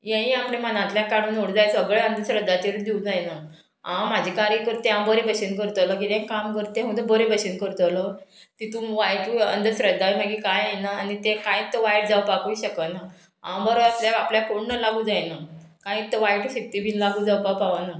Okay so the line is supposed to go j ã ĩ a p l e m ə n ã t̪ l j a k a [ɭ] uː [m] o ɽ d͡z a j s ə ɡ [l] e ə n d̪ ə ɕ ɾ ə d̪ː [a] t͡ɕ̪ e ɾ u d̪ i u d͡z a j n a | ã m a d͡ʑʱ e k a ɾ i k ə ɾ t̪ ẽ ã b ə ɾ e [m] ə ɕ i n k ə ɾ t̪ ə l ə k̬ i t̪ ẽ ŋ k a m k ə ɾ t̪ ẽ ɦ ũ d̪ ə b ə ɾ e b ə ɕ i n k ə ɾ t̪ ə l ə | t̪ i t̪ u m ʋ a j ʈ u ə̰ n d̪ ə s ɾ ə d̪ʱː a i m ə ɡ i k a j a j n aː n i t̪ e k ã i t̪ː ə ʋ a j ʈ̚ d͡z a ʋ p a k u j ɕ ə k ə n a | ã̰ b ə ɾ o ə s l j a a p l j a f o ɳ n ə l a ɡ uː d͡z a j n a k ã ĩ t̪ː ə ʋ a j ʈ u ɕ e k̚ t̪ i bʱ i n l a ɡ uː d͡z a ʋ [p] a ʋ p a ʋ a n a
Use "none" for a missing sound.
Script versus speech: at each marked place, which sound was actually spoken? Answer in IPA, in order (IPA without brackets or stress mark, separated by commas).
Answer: ɽ, n, ɭ, a, b, p